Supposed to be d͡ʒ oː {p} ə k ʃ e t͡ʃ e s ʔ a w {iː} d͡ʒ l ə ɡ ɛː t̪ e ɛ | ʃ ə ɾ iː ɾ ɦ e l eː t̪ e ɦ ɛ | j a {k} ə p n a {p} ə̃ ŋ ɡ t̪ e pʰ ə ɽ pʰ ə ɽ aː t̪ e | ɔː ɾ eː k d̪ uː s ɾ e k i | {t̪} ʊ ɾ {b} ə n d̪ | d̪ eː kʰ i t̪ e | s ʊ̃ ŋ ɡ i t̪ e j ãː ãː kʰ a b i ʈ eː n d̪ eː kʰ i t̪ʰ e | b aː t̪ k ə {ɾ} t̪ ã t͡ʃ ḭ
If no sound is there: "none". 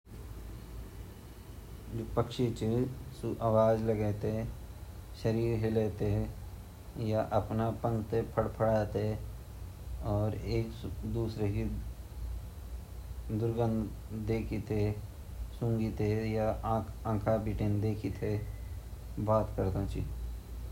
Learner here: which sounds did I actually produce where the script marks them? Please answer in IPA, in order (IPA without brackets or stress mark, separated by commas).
p, aː, ʔ, p, d̪, ɡ, ɾ